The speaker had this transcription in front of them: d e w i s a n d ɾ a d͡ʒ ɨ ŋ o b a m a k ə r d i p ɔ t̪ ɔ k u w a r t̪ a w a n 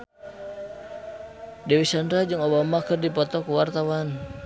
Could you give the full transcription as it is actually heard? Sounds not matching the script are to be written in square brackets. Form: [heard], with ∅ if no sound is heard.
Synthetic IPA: d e w i s a n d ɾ a d͡ʒ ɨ ŋ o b a m a k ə r d i p ɔ t̪ ɔ k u w a r t̪ a w a n

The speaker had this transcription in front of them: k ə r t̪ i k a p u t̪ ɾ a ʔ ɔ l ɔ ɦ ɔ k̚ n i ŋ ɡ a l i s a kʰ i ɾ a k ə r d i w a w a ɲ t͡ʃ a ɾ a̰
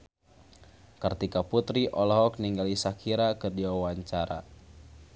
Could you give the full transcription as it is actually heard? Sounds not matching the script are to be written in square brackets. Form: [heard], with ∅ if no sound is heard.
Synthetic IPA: k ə r t̪ i k a p u t̪ ɾ [i] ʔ ɔ l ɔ ɦ ɔ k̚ n i ŋ ɡ a l i s a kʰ i ɾ a k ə r d i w a w a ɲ t͡ʃ a ɾ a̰

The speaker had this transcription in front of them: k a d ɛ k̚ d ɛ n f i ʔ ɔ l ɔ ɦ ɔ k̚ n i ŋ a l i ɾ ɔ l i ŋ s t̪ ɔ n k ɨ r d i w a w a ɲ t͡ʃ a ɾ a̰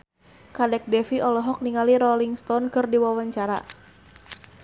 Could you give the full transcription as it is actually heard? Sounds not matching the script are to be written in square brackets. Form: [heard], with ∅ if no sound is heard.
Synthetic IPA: k a d ɛ k̚ d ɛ [∅] f i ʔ ɔ l ɔ ɦ ɔ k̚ n i ŋ a l i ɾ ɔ l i ŋ s t̪ ɔ n k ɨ r d i w a w a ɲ t͡ʃ a ɾ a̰

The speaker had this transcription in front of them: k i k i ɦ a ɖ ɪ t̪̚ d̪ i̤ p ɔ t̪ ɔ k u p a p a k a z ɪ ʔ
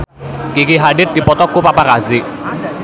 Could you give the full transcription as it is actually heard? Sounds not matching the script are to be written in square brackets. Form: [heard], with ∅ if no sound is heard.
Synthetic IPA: k i k i ɦ a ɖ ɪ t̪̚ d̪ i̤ p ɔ t̪ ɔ k u p a p a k a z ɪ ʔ

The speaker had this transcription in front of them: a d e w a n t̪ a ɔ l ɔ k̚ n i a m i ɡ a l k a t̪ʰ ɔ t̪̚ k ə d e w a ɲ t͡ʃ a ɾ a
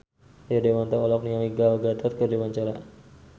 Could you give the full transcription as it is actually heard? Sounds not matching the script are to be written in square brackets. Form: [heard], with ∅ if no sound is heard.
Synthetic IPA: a d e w a n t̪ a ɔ l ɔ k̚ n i a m i ɡ a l [ɡ] a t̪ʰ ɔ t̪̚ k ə d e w a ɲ t͡ʃ a ɾ a

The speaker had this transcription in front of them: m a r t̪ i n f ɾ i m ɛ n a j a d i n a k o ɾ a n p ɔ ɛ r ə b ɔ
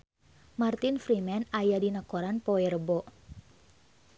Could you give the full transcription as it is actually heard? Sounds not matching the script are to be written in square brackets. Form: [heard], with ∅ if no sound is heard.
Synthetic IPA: m a r t̪ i n f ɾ i m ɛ n a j a d i n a k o ɾ a n p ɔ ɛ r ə b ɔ

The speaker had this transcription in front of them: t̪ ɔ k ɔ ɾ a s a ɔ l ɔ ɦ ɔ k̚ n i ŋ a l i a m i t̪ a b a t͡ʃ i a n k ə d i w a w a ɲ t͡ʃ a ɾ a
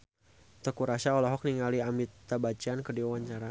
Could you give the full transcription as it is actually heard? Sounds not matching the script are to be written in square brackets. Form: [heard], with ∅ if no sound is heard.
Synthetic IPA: t̪ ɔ k [u] ɾ a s a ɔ l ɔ ɦ ɔ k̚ n i ŋ a l i a m i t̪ a b a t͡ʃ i a n k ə d i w a w a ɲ t͡ʃ a ɾ a

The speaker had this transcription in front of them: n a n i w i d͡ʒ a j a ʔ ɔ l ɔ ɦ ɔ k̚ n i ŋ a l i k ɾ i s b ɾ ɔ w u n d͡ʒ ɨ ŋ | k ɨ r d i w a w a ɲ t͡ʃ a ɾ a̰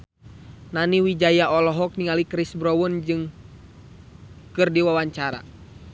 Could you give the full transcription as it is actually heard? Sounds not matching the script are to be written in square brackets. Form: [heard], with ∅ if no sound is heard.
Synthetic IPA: n a n i w i d͡ʒ a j a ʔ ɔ l ɔ ɦ ɔ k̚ n i ŋ a l i k ɾ i s b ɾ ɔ w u n d͡ʒ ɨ ŋ | k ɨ r d i w a w a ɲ t͡ʃ a ɾ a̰

